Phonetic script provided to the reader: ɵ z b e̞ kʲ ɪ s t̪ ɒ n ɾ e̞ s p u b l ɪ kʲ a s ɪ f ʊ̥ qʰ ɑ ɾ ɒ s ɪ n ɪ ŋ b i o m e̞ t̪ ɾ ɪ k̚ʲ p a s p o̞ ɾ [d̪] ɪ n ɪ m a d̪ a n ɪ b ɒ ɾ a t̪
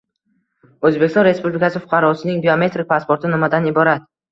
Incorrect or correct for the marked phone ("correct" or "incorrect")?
incorrect